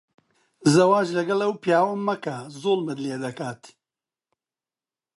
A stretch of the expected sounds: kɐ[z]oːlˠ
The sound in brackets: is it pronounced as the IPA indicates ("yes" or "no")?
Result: yes